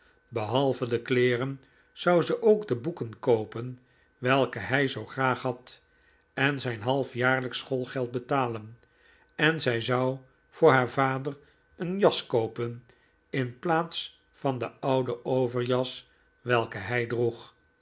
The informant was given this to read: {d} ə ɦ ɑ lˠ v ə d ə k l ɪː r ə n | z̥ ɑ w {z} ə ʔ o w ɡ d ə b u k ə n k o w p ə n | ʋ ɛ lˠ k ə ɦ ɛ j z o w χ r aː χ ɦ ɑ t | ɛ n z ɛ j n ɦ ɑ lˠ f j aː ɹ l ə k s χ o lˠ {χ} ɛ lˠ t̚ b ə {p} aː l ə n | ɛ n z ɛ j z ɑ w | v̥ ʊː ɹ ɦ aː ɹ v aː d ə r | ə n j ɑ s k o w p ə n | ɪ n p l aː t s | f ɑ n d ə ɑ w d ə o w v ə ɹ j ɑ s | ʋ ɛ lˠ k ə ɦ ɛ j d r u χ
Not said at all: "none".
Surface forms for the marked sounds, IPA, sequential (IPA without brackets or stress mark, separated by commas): b, z, χ, t